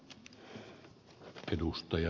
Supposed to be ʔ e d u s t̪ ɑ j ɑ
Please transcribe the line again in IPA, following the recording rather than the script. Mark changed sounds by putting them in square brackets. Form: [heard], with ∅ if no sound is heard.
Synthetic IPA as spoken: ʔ e d u s t̪ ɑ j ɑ